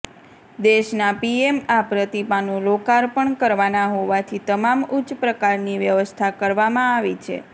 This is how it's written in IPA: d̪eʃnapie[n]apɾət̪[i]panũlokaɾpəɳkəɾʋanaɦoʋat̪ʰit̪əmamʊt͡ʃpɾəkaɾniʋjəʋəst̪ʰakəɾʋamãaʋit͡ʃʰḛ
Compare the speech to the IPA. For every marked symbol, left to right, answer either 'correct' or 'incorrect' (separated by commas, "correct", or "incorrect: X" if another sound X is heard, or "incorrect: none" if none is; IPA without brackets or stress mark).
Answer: incorrect: m, correct